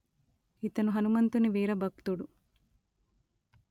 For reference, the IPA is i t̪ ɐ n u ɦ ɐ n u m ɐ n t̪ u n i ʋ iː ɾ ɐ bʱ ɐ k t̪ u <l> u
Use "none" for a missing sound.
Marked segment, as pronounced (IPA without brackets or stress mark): ɽ